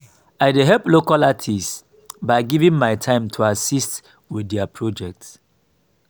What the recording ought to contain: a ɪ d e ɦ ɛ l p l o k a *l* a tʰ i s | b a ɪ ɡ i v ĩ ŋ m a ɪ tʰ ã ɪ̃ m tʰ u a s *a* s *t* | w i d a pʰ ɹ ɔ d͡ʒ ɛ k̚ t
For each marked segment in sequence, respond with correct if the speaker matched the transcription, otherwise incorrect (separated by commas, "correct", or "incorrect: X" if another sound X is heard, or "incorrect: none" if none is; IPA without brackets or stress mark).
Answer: correct, incorrect: i, correct